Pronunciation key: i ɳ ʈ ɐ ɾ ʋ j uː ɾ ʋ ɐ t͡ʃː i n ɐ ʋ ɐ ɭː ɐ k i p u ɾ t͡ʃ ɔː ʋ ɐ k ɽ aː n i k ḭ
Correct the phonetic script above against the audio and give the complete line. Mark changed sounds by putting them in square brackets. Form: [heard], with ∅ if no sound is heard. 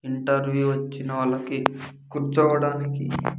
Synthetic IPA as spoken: i ɳ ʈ ɐ ɾ ʋ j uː [∅] ʋ ɐ t͡ʃː i n ɐ ʋ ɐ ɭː ɐ k i [k] u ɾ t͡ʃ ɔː ʋ ɐ [∅] ɽ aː n i k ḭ